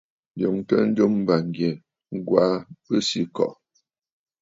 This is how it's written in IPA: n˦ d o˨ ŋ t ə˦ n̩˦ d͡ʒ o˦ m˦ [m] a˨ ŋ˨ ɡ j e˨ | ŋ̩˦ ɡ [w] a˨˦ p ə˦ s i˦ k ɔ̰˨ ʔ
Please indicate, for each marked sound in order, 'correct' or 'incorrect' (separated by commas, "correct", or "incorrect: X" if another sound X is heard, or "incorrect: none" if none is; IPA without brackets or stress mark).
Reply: incorrect: b, correct